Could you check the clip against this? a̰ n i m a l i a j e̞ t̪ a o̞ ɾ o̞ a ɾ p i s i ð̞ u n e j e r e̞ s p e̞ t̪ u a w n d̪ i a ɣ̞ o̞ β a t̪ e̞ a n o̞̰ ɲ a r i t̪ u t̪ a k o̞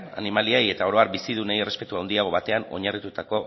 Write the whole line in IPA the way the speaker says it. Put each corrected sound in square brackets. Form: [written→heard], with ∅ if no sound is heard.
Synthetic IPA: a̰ n i m a l i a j e̞ t̪ a o̞ ɾ o̞ a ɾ [p→b] i s i ð̞ u n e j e r e̞ s p e̞ t̪ u a w n d̪ i a ɣ̞ o̞ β a t̪ e̞ a n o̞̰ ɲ a r i t̪ u t̪ a k o̞